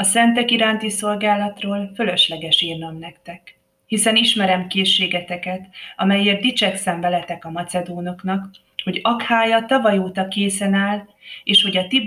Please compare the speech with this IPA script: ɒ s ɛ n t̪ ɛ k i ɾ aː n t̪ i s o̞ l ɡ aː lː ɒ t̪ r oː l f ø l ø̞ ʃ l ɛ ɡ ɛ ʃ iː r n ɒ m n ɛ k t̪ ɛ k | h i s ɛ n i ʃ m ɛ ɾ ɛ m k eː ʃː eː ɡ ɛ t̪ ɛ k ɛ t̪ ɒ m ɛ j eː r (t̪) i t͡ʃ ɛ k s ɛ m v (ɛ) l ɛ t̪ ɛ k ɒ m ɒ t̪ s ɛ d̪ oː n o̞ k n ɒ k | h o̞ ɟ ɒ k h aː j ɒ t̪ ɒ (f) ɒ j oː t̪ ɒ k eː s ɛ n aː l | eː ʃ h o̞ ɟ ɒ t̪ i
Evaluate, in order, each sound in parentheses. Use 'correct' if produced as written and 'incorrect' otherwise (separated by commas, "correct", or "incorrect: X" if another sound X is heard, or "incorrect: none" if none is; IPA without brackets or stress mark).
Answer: incorrect: d̪, correct, incorrect: v